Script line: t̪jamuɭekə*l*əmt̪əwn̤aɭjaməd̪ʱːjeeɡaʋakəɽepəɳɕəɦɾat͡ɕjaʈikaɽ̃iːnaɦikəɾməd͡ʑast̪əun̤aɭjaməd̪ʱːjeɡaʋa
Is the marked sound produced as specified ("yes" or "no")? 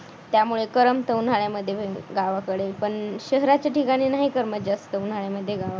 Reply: no